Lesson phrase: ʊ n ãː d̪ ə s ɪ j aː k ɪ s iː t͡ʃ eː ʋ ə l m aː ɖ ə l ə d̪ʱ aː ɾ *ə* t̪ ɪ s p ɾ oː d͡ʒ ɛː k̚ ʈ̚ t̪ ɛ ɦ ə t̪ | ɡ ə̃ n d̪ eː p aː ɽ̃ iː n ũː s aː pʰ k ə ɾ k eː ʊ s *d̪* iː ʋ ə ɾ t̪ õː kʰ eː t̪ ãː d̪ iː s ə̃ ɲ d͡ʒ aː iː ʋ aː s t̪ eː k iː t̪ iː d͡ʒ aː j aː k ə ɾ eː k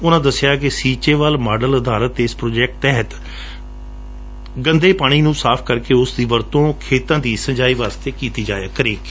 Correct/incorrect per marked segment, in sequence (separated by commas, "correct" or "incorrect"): correct, correct